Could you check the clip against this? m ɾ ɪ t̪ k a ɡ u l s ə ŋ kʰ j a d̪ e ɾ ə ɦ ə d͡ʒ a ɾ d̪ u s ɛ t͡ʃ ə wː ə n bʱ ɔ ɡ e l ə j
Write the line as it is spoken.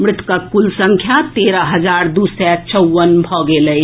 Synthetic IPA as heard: m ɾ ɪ t̪ k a k u l s ə ŋ kʰ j a t̪ e ɾ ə ɦ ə d͡ʒ a ɾ d̪ u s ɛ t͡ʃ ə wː ə n bʱ ɔ ɡ e l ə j